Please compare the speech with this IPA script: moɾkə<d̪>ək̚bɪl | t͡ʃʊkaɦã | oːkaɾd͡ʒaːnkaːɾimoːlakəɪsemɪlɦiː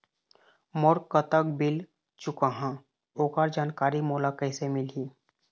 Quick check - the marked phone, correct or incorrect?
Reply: incorrect